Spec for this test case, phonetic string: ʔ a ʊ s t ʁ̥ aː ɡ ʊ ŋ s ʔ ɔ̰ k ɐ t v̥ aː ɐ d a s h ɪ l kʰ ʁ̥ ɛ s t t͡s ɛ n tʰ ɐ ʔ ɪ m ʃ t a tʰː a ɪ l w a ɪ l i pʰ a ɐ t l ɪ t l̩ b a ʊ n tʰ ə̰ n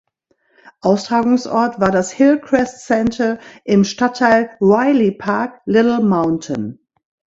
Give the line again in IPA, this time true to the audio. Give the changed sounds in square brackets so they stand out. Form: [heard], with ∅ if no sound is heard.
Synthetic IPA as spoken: ʔ a ʊ s t ʁ̥ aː ɡ ʊ ŋ s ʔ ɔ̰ [∅] ɐ t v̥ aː ɐ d a s h ɪ l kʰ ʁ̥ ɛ s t t͡s ɛ n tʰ ɐ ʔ ɪ m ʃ t a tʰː a ɪ l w a ɪ l i pʰ a ɐ [k] l ɪ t l̩ [m] a ʊ n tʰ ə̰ n